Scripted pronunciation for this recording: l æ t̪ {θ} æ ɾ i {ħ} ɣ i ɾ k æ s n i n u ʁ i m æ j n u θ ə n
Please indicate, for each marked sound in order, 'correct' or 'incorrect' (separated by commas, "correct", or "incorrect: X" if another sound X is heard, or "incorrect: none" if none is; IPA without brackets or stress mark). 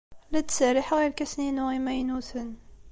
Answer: incorrect: s, correct